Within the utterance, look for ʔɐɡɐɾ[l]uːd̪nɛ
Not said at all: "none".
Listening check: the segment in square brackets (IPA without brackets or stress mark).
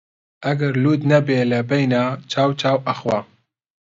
l